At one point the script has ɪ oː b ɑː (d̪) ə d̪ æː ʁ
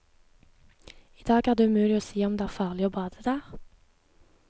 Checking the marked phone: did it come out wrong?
no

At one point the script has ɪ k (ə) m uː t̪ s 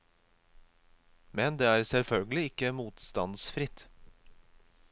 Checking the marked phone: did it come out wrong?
no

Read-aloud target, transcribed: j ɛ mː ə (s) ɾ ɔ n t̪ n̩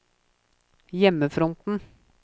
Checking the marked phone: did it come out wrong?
yes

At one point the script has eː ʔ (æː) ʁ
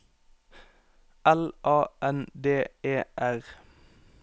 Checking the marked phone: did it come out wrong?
yes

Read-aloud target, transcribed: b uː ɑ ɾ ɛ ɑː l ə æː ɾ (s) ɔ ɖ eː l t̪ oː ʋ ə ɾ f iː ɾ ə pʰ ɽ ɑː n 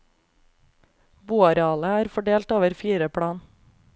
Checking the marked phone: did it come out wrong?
yes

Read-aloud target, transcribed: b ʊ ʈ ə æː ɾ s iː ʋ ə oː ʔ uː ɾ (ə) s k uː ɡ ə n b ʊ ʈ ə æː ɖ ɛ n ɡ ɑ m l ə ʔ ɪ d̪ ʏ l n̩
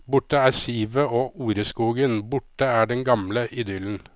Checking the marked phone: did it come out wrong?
no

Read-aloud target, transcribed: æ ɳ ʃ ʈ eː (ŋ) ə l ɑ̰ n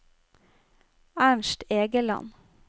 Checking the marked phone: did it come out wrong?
yes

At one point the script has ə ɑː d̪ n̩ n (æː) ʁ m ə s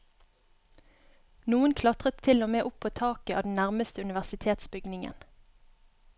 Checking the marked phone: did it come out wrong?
yes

